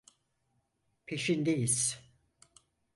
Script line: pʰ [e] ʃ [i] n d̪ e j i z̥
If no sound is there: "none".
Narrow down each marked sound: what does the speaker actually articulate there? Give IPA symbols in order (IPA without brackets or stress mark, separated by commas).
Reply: e, i